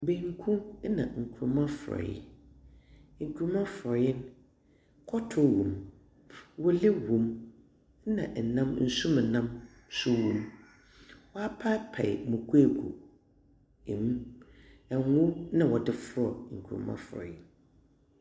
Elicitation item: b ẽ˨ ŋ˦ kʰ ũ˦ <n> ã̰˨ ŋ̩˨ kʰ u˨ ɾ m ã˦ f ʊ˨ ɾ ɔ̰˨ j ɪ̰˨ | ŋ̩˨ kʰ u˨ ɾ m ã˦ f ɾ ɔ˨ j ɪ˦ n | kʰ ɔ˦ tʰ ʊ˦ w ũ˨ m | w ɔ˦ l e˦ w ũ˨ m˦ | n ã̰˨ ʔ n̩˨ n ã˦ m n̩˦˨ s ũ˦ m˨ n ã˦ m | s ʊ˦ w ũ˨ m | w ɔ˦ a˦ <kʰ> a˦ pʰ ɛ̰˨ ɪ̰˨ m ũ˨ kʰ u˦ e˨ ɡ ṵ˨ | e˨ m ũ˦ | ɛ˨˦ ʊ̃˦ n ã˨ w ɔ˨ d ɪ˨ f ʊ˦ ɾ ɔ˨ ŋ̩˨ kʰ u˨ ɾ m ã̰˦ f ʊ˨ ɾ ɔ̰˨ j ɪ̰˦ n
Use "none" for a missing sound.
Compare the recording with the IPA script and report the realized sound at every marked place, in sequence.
n, pʰ

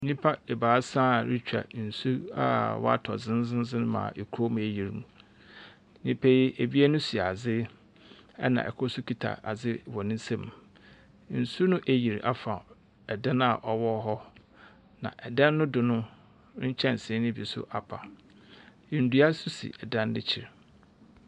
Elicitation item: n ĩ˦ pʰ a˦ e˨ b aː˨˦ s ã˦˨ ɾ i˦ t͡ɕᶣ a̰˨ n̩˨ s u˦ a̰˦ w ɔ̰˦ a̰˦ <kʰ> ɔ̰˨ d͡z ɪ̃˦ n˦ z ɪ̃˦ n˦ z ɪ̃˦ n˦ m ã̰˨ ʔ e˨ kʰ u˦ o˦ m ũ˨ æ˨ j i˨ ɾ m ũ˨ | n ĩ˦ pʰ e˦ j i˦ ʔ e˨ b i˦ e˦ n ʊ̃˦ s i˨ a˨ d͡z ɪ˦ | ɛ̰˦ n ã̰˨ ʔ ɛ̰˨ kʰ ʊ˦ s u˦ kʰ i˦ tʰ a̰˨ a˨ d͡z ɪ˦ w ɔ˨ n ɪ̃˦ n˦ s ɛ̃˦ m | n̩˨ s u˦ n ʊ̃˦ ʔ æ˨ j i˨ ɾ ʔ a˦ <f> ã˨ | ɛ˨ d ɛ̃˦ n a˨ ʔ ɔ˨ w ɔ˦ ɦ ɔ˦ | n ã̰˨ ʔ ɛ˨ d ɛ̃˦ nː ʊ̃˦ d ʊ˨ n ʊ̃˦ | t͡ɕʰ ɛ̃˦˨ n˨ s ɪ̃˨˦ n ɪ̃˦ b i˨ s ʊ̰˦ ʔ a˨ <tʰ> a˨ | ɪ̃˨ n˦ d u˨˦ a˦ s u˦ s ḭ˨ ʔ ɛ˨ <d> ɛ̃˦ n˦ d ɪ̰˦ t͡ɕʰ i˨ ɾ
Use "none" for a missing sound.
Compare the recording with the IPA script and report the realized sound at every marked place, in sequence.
tʰ, f, pʰ, d

